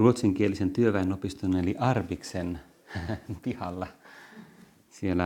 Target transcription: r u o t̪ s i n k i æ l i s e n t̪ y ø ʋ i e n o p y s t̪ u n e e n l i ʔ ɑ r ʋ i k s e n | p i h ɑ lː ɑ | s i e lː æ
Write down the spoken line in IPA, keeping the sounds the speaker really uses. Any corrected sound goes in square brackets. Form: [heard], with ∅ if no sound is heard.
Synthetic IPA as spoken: r u o t̪ s i [ŋ] k i [e] l i s e n t̪ y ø ʋ [æ] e n o p [i] s t̪ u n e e [∅] l i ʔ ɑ r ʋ i k s e n | p i h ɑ lː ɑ | s i e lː æ